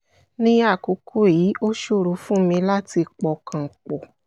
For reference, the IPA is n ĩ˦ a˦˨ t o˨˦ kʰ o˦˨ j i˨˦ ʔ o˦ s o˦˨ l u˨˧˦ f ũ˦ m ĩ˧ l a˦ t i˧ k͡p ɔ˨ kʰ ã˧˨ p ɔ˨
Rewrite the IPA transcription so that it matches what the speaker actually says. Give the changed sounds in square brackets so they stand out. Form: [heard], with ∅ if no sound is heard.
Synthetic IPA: n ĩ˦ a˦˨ [k] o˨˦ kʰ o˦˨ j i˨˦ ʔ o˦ [ʃ] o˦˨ [ɾ] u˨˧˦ f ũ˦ m ĩ˧ l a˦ t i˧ k͡p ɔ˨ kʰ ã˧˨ [k͡p] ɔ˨